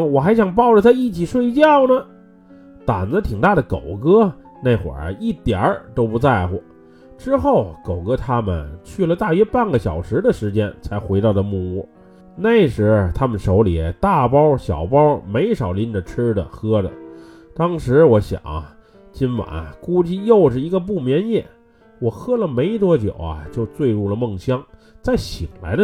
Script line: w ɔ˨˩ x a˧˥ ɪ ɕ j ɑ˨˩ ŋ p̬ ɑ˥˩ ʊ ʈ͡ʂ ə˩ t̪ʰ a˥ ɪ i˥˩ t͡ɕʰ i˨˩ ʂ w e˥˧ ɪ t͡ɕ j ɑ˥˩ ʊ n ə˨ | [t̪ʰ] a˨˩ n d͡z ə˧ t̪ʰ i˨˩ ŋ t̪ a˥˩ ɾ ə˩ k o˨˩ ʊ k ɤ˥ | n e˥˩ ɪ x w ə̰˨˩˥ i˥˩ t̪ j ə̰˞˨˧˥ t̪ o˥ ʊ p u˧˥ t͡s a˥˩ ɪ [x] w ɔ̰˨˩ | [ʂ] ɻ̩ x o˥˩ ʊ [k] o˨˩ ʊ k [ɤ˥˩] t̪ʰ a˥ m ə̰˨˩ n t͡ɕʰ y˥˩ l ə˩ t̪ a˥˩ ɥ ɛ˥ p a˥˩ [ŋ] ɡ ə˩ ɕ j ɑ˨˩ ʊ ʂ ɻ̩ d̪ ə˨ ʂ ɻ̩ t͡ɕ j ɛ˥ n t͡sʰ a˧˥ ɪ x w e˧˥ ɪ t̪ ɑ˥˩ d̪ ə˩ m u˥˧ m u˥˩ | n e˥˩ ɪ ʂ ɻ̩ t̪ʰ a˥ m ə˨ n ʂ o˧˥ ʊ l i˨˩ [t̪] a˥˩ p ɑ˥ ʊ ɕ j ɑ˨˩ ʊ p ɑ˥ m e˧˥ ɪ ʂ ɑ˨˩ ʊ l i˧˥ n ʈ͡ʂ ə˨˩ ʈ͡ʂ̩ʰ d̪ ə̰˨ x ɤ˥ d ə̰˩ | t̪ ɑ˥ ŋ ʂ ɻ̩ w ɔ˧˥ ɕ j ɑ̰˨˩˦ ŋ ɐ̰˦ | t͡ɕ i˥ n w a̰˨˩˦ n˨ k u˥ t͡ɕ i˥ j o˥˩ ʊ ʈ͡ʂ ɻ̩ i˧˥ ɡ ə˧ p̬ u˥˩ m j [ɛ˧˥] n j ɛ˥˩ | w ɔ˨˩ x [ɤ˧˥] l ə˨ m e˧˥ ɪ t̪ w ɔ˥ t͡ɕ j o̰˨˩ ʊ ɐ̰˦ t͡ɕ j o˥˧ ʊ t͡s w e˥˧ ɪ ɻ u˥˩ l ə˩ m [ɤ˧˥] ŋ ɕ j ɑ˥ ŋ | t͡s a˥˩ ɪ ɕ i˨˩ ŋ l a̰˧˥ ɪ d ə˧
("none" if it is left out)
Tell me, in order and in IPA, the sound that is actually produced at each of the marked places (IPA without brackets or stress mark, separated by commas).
t̪, x, ʈ͡ʂ, k, ɤ˥, n, t̪, ɛ˧˥, ɤ˥, ɤ˥˩